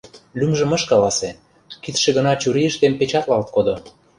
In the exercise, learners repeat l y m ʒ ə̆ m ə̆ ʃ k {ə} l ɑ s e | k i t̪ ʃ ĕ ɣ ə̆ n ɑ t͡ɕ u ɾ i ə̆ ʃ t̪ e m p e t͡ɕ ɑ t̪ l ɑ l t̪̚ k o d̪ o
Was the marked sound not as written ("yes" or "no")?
yes